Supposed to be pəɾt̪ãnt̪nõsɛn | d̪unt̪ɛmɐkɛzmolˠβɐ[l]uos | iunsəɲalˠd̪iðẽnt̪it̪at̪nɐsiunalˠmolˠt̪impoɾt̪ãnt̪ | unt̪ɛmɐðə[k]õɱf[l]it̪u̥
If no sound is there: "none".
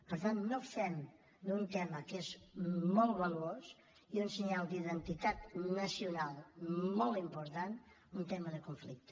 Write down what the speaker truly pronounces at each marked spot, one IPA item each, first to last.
l, k, l

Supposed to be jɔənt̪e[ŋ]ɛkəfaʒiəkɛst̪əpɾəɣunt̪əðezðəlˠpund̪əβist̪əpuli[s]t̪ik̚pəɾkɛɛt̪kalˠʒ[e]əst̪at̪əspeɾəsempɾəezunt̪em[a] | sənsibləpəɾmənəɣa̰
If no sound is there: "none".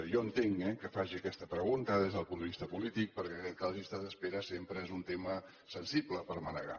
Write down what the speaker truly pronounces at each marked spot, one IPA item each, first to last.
ŋ, none, i, ə

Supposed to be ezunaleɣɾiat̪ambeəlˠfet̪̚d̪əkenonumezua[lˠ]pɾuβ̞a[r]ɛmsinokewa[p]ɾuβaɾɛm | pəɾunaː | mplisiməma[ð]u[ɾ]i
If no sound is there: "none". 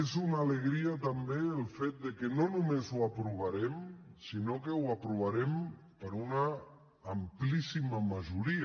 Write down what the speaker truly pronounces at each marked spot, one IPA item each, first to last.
none, ɾ, p, ʒ, ɾ

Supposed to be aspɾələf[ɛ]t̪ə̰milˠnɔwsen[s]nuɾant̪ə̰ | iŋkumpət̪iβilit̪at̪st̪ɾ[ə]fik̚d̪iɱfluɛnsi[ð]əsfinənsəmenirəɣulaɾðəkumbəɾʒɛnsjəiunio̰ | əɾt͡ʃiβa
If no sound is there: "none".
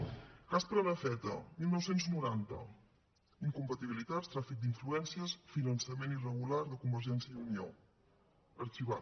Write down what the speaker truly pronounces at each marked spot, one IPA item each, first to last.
ɛ, z, a, none

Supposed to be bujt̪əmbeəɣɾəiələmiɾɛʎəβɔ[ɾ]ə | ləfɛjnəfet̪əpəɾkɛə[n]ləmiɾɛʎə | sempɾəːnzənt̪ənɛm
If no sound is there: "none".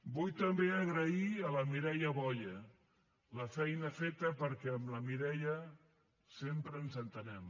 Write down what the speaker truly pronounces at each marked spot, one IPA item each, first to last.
ʎ, m

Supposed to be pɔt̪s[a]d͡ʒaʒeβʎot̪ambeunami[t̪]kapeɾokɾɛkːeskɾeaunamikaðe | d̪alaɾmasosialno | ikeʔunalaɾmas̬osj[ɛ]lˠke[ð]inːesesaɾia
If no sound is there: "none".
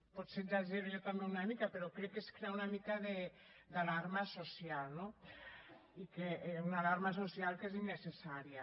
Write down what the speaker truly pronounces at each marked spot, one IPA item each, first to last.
e, none, a, z

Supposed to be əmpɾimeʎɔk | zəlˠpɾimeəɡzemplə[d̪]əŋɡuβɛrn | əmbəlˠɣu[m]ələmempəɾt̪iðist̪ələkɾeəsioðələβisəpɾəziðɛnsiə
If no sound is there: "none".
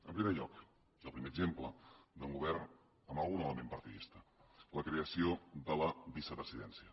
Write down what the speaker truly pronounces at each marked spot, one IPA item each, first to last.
d̪, n

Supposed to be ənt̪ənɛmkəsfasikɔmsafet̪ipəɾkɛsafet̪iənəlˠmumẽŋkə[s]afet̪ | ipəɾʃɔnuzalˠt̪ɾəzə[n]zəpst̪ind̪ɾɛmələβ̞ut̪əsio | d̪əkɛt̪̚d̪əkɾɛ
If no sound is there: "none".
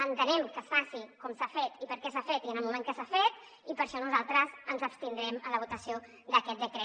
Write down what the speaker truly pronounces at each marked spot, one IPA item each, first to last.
s, n

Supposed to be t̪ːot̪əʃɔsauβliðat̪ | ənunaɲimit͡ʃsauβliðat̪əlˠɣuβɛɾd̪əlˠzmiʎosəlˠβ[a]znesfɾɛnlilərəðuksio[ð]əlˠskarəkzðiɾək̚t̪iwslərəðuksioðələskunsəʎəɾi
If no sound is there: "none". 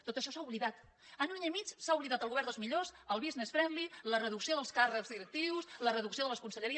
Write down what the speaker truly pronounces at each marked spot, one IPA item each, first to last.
i, ð

